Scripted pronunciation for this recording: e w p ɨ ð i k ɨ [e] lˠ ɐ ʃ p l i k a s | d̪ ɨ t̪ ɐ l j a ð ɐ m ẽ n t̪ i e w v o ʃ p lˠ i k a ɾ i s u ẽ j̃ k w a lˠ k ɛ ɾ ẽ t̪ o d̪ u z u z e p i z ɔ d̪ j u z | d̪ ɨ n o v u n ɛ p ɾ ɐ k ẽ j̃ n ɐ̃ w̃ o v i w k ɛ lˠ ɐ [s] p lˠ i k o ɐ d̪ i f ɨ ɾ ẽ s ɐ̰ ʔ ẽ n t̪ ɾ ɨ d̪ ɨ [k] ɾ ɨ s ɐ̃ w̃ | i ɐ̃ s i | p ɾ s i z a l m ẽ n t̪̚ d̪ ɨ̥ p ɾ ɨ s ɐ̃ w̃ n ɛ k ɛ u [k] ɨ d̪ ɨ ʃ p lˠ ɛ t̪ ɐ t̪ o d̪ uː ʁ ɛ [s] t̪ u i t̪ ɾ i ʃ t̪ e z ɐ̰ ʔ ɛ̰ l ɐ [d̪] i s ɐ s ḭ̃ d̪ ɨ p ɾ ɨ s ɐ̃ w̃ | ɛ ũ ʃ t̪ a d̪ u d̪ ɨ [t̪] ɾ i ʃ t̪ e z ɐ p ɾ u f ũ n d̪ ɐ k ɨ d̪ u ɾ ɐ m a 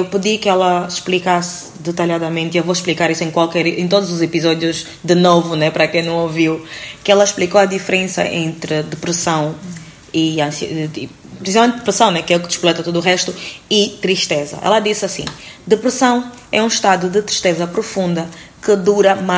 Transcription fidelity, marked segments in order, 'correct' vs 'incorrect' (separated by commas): incorrect, incorrect, incorrect, correct, incorrect, correct, correct